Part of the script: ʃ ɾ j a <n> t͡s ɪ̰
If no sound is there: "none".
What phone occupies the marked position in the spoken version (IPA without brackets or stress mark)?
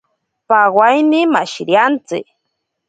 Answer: n